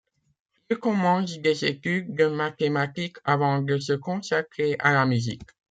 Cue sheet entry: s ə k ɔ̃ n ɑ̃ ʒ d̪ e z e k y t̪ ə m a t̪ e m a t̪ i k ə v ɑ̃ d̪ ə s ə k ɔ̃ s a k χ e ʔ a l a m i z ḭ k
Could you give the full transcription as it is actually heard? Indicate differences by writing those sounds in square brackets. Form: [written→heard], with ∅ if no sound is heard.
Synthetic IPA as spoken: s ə k ɔ̃ [n→m] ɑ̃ ʒ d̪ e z e k y [t̪→d̪] ə m a t̪ e m a t̪ i k [ə→a] v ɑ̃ d̪ ə s ə k ɔ̃ s a k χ e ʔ a l a m [i→y] z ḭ k